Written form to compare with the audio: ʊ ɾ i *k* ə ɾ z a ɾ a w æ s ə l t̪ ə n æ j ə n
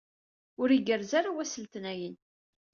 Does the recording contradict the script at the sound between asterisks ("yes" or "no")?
yes